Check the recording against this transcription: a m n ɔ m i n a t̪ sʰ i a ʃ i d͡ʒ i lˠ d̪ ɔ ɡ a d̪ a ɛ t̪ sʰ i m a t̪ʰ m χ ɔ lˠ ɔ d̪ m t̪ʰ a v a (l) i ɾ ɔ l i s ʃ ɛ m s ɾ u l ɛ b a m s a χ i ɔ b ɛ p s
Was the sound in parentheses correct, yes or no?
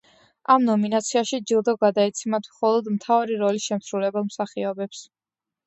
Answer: no